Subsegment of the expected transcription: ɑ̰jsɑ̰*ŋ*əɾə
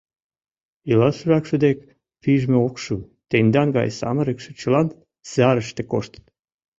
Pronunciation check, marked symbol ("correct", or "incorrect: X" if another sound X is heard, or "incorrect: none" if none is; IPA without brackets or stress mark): incorrect: m